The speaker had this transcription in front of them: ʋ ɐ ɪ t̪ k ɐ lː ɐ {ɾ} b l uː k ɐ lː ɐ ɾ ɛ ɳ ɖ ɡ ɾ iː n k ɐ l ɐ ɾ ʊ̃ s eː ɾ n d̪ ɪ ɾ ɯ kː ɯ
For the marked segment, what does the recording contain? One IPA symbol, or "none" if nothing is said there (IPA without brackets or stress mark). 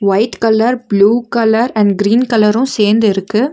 ɾ